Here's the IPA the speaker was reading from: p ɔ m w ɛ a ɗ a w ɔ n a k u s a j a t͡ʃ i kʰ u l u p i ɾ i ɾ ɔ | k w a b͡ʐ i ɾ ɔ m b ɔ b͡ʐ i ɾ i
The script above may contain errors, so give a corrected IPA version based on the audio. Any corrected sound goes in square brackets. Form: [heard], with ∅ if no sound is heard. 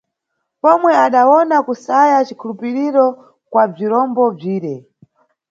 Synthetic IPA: p ɔ m w ɛ a ɗ a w ɔ n a k u s a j a t͡ʃ i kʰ u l u p i ɾ i ɾ ɔ | k w a b͡ʐ i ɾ ɔ m b ɔ b͡ʐ [iː] ɾ [ɛ]